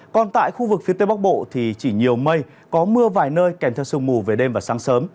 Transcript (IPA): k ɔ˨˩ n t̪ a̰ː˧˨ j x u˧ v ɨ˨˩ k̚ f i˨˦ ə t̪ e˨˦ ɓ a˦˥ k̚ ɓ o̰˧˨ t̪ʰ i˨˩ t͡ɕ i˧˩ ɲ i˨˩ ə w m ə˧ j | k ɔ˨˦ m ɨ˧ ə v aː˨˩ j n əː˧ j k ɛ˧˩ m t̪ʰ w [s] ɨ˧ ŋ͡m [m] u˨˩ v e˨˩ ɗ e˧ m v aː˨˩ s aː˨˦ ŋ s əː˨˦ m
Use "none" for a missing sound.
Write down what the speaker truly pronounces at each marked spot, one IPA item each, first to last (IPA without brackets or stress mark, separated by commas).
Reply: s, m